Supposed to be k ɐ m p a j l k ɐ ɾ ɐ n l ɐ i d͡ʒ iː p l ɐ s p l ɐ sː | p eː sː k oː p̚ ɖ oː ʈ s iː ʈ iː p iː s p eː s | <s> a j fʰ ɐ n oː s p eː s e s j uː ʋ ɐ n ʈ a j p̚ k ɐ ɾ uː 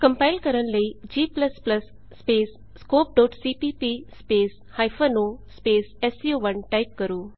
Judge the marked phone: incorrect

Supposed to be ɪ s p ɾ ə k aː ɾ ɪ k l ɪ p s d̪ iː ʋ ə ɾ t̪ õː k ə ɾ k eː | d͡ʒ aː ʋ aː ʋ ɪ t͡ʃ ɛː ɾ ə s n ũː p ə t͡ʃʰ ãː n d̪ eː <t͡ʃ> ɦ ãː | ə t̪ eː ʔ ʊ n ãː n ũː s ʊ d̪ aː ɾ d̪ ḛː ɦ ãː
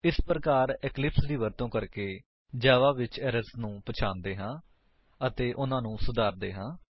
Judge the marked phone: incorrect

